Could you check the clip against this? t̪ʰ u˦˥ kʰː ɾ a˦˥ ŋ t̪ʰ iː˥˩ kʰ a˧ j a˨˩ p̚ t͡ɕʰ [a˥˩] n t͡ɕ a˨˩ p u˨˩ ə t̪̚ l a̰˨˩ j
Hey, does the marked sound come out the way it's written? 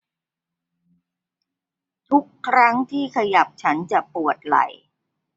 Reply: no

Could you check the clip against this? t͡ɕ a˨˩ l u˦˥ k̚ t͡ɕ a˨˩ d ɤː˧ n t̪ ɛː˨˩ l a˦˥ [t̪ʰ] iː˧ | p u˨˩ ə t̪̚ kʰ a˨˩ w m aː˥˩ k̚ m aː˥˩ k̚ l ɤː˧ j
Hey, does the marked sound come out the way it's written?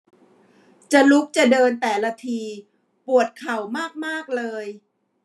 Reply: yes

